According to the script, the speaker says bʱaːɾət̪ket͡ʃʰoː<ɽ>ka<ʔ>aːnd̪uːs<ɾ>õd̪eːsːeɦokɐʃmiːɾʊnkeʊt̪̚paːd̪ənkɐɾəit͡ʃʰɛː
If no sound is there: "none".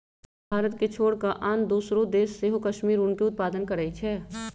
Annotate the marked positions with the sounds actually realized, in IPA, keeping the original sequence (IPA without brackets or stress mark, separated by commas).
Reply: ɽ, ʔ, ɾ